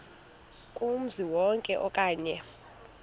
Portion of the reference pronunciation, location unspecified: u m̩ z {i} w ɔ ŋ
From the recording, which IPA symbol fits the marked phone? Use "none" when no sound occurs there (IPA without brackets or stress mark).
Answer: i